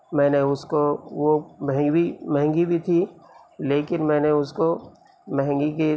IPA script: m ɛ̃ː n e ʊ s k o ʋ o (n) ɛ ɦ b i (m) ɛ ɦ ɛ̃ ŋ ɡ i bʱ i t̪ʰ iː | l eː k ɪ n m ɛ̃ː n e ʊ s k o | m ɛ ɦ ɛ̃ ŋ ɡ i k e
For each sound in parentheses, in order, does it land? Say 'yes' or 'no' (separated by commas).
no, yes